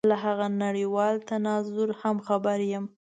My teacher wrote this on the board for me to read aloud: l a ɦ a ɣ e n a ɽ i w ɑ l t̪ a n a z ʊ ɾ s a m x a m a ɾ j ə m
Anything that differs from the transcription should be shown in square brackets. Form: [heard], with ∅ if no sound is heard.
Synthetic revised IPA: l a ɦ a ɣ [a] n a ɽ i w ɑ l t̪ a n [ɑ] z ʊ ɾ [h] a m x a [b] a ɾ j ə m